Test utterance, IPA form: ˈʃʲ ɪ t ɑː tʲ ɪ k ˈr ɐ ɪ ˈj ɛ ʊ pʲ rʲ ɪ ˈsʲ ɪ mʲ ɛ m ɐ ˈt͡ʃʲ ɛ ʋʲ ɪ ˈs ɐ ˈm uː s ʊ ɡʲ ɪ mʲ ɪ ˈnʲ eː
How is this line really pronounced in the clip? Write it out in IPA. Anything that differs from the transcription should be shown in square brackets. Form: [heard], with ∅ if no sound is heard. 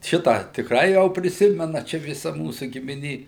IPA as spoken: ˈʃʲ ɪ t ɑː tʲ ɪ k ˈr ɐ ɪ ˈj ɛ ʊ pʲ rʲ ɪ ˈsʲ ɪ mʲ ɛ [n] ɐ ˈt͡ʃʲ ɛ ʋʲ ɪ ˈs ɐ ˈm uː s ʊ ɡʲ ɪ mʲ ɪ ˈnʲ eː